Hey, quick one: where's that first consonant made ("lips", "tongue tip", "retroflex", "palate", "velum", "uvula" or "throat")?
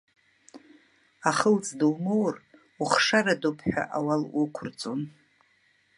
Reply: uvula